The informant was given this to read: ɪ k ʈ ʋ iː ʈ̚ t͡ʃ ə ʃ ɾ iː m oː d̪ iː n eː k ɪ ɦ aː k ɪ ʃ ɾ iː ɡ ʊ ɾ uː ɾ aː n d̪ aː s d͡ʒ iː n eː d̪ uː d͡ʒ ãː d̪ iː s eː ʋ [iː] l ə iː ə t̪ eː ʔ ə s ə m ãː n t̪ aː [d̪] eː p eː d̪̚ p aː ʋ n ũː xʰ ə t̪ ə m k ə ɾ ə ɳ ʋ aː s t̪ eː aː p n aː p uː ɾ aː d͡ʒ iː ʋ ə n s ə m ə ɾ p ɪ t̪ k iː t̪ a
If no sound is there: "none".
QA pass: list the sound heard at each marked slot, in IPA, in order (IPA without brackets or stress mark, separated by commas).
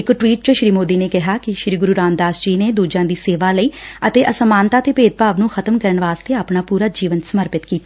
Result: aː, t̪